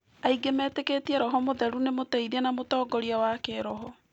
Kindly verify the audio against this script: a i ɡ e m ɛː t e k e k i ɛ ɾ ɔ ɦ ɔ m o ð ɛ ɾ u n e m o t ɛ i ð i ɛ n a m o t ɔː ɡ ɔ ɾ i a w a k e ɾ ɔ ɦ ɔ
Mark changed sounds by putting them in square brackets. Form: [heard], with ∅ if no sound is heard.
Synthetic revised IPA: a i ɡ e m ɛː t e k e [t] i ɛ ɾ ɔ ɦ ɔ m o ð ɛ ɾ u n e m o t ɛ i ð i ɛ n a m o t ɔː ɡ ɔ ɾ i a w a k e ɾ ɔ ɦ ɔ